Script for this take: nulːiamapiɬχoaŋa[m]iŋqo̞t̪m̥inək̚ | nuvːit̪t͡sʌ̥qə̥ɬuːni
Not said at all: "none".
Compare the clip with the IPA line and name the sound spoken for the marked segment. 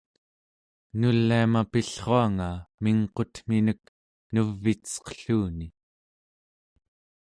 m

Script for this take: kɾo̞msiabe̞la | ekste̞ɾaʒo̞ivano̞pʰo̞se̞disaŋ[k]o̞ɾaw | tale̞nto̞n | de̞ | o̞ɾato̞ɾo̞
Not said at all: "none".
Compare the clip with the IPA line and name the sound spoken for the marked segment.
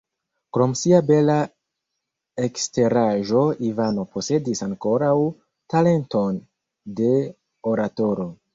k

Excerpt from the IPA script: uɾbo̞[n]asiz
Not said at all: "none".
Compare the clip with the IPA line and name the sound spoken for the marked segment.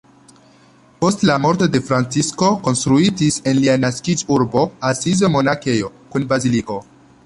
none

